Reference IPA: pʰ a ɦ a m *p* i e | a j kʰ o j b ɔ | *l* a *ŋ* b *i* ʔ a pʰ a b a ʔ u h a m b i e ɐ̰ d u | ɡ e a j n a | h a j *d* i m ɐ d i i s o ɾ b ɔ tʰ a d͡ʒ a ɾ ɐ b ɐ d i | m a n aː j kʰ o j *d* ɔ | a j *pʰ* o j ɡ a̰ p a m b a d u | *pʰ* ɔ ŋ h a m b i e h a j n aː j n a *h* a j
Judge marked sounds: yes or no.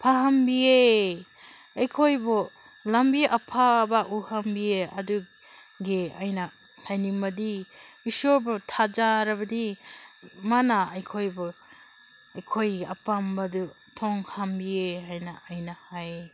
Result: no, yes, no, yes, no, no, no, no, yes

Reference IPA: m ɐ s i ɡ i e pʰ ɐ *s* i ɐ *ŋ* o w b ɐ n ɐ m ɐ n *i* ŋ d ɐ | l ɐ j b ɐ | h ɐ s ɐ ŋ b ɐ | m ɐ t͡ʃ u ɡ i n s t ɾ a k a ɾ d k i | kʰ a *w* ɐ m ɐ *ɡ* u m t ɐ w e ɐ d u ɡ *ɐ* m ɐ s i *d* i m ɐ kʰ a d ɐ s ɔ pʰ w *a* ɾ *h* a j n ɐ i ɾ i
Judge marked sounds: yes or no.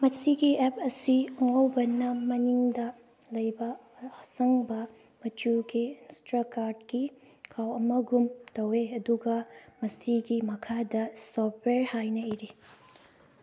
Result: yes, yes, yes, yes, yes, yes, no, no, yes

